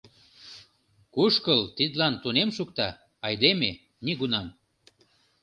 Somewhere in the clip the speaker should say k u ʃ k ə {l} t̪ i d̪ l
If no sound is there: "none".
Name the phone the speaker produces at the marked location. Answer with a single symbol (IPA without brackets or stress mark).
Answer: l